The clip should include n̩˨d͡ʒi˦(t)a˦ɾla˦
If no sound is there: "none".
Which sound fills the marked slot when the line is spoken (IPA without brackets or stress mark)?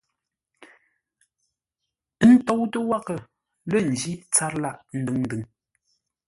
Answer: t͡s